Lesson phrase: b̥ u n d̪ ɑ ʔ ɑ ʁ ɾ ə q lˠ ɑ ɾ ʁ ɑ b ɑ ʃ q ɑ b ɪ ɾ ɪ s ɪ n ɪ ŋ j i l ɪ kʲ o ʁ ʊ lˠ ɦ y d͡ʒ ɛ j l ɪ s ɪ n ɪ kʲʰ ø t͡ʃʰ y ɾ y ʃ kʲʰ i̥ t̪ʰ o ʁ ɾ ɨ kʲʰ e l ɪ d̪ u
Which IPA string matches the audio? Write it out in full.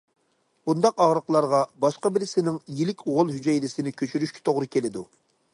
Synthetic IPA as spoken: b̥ u n d̪ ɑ q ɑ ʁ ɾ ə q lˠ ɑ ɾ ʁ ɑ b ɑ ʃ q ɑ b ɪ ɾ ɪ s ɪ n ɪ ŋ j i l ɪ kʲ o ʁ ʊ lˠ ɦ y d͡ʒ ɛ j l ɪ s ɪ n ɪ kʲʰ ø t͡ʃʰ y ɾ y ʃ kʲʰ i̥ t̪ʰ o ʁ ɾ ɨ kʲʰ e l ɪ d̪ u